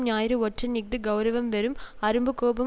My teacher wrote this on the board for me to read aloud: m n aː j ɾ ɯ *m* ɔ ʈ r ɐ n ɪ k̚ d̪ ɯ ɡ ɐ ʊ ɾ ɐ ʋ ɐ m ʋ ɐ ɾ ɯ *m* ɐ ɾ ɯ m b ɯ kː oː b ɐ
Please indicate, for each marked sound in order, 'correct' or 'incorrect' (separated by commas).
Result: incorrect, correct